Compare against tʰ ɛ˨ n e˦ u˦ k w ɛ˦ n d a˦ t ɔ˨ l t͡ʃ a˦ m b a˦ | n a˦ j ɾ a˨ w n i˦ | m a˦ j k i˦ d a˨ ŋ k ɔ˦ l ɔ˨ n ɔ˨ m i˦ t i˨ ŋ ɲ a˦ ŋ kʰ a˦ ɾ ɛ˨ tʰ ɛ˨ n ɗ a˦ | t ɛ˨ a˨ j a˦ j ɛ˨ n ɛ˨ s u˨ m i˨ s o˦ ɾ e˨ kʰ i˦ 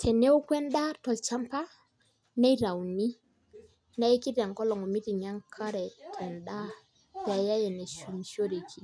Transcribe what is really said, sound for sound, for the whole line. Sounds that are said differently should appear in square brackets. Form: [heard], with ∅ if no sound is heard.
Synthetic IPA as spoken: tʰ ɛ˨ n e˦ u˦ k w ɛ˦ n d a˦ t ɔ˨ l t͡ʃ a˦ m [p] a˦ | n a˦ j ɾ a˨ w n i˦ | [n] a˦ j k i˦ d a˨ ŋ k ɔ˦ l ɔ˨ [ŋ] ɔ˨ m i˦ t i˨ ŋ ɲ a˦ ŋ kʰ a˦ ɾ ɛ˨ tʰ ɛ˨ n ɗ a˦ | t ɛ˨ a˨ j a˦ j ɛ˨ n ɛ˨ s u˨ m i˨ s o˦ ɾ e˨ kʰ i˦